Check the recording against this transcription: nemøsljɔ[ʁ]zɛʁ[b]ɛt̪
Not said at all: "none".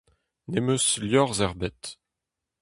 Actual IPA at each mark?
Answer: ʁ, b

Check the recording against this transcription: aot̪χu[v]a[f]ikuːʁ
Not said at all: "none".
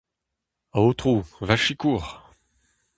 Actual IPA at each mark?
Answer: v, ʃ

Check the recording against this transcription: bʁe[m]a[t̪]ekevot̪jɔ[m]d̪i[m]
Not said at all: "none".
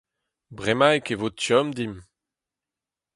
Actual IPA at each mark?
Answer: m, none, m, m

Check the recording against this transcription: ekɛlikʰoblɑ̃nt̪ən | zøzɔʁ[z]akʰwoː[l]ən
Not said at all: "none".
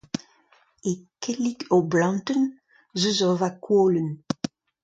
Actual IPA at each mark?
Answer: v, l

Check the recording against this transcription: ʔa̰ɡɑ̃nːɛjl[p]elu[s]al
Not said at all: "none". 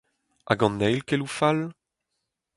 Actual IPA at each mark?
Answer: k, f

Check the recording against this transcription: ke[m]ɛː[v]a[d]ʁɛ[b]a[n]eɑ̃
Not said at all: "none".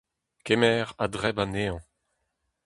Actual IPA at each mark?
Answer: m, ʁ, d, b, n

